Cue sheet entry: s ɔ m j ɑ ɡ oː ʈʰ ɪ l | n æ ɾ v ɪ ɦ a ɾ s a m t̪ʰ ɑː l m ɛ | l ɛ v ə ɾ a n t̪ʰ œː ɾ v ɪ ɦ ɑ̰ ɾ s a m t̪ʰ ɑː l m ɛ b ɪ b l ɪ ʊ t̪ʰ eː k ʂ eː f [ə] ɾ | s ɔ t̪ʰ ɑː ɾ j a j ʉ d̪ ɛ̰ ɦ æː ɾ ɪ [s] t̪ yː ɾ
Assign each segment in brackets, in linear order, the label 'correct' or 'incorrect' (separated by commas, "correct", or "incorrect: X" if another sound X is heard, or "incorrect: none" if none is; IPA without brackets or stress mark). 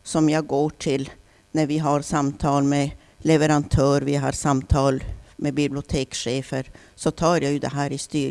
correct, correct